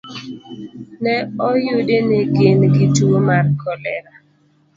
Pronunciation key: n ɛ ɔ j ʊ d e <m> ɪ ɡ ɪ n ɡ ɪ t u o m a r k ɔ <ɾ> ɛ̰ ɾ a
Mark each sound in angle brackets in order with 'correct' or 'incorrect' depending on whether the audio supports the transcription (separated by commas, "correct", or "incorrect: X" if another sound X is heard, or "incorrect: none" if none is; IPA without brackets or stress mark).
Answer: incorrect: n, incorrect: l